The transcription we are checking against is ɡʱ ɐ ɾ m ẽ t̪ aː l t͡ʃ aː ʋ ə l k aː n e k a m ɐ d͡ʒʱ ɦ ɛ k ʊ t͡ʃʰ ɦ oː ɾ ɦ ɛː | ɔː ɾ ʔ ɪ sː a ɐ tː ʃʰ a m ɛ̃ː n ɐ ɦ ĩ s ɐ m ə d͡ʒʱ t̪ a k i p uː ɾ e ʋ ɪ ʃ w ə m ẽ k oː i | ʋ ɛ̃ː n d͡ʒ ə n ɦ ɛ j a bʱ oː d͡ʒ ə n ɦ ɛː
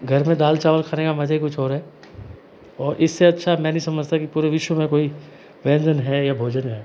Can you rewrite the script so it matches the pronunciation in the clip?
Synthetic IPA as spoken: ɡʱ ɐ ɾ m ẽ d̪ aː l t͡ʃ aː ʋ ə l kʰ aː n e k a m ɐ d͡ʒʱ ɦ i k ʊ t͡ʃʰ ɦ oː ɾ ɦ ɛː | ɔː ɾ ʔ ɪ sː e ɐ tː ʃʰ a m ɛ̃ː n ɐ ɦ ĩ s ɐ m ə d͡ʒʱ t̪ a k i p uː ɾ e ʋ ɪ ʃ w ə m ẽ k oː i | ʋ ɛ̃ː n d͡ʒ ə n ɦ ɛ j a bʱ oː d͡ʒ ə n ɦ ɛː